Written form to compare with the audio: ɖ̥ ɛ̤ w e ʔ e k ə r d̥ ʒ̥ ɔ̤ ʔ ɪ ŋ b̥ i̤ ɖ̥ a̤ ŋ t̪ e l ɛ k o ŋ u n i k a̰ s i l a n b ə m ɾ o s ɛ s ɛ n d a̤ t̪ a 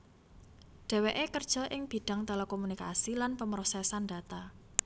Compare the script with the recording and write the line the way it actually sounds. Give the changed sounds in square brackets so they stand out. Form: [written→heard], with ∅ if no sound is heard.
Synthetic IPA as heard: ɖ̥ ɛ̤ w e ʔ e k ə r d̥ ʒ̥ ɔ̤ ʔ ɪ ŋ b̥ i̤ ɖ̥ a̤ ŋ t̪ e l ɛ k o [ŋ→m] u n i k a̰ s i l a n [b→p] ə m ɾ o s ɛ s [ɛ→a] n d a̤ t̪ a